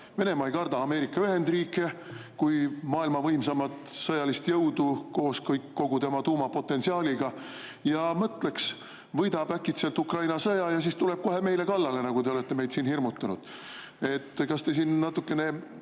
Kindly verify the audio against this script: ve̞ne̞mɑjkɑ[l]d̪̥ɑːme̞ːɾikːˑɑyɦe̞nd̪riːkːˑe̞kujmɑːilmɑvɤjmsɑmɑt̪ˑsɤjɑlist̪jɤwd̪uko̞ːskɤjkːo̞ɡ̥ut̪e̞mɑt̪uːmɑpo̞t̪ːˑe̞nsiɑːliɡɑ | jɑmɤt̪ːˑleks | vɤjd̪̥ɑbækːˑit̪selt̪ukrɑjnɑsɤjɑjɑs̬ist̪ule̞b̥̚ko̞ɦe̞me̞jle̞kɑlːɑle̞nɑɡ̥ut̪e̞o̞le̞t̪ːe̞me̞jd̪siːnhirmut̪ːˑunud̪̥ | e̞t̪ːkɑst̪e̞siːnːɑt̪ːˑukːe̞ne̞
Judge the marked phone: incorrect: r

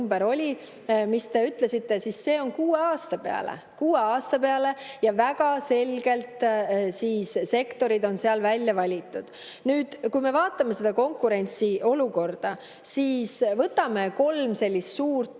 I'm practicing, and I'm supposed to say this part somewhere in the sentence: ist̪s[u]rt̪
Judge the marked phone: incorrect: uː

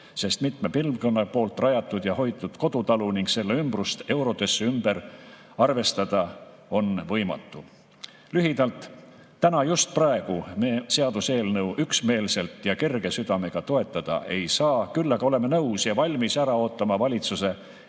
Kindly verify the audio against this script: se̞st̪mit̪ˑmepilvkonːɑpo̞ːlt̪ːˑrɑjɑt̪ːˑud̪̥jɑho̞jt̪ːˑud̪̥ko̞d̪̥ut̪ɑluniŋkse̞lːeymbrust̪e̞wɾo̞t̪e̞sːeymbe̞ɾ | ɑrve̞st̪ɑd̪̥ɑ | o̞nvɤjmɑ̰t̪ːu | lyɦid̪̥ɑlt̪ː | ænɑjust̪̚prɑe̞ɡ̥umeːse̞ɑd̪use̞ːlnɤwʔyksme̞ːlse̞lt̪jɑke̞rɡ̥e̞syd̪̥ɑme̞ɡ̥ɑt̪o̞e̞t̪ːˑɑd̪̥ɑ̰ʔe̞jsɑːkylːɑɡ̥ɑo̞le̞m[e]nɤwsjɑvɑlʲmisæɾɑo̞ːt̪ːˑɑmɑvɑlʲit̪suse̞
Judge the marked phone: correct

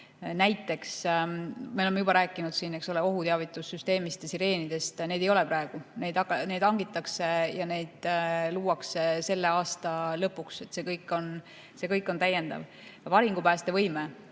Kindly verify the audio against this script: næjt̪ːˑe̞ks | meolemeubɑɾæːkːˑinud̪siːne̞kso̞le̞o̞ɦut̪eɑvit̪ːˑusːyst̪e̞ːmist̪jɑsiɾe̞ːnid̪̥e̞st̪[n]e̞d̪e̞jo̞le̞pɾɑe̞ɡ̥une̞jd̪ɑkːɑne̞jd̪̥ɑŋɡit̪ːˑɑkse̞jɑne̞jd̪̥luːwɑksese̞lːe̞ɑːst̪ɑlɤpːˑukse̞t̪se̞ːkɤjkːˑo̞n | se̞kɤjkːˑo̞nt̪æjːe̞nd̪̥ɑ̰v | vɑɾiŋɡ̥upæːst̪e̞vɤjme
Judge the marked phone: correct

